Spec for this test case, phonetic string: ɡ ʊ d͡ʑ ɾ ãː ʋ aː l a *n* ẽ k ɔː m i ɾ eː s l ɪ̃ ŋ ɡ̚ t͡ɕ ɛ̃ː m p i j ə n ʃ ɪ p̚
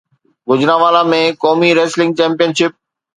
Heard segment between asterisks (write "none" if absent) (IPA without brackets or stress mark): m